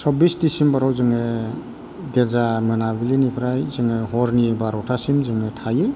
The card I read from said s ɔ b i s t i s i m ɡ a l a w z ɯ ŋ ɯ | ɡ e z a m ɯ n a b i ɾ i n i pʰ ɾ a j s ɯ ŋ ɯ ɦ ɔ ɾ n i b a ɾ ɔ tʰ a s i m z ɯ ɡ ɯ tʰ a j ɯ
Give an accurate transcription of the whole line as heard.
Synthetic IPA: s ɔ b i s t i s i m b a ɾ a w z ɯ ŋ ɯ | ɡ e z a m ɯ n a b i l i n i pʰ ɾ a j z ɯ ŋ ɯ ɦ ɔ ɾ n i b a ɾ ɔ tʰ a s i m z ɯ ŋ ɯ tʰ a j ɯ